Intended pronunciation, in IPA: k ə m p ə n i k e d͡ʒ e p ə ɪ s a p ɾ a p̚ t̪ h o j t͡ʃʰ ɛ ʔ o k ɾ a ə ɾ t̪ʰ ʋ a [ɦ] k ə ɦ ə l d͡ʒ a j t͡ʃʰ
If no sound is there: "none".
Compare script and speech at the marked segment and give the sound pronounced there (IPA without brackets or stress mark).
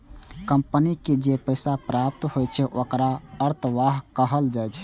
ɦ